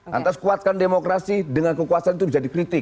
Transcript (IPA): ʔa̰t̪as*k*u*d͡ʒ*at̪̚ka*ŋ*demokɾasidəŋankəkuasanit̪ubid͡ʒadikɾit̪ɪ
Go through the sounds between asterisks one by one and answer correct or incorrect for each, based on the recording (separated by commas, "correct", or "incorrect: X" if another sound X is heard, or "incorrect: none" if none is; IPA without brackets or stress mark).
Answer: correct, incorrect: none, incorrect: n